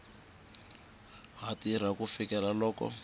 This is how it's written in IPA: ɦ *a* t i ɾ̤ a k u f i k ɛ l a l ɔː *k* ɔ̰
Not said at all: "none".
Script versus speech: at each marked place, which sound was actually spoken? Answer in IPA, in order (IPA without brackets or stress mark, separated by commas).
a, k